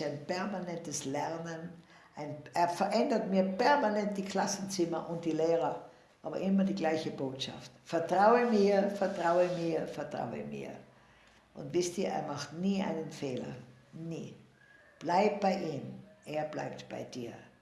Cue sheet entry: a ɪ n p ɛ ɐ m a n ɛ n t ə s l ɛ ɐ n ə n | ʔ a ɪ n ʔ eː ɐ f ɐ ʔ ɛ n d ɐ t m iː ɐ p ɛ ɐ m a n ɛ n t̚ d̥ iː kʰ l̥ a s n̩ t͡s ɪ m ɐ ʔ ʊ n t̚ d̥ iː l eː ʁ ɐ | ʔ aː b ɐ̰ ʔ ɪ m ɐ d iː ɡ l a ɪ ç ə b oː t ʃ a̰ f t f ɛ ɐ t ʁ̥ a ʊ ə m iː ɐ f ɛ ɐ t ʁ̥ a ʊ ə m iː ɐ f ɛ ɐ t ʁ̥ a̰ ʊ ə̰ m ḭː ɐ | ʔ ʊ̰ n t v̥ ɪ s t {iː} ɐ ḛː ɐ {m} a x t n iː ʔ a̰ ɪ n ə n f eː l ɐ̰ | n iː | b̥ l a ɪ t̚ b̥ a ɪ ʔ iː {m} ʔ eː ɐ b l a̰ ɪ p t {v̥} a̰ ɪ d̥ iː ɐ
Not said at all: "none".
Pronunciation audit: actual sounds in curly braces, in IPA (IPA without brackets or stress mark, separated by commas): iː, m, m, b̥